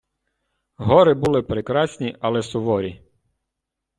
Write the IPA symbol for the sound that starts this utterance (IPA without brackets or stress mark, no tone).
ɦ